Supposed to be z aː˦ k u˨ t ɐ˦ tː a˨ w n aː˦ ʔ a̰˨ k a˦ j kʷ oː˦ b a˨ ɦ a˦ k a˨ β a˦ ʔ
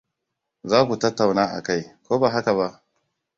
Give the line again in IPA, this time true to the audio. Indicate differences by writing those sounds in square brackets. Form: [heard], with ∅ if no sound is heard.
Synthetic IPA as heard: z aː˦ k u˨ t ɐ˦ tː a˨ w n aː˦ ʔ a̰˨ k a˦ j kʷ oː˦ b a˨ ɦ a˦ k a˨ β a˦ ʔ

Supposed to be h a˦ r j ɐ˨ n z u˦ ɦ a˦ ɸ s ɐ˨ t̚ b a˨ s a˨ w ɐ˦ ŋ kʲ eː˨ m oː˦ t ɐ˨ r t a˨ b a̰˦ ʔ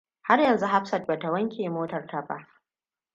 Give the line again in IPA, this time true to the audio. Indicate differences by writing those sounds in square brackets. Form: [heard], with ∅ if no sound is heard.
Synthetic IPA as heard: h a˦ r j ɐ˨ n z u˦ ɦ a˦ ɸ s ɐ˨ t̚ b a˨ [t] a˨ w ɐ˦ ŋ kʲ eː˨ m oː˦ t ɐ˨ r t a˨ b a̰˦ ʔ

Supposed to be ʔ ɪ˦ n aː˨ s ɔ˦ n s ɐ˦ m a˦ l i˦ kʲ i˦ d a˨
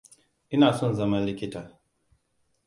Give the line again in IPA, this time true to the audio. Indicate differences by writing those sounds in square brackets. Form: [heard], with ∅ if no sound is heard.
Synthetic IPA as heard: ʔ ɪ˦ n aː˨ s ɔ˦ n [z] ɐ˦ m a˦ l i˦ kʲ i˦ [t] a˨

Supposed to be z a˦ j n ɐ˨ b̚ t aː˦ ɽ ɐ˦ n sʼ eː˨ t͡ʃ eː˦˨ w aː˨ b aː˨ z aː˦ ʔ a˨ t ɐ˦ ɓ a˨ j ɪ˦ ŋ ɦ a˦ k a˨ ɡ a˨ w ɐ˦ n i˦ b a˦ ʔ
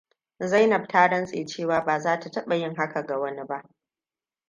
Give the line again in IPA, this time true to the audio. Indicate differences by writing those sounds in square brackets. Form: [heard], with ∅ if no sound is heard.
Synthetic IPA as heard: z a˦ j n ɐ˨ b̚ t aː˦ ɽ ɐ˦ n sʼ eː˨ t͡ʃ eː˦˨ w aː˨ b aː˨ z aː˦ [t] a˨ t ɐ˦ ɓ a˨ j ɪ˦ ŋ ɦ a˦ k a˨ ɡ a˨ w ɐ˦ n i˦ b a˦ ʔ

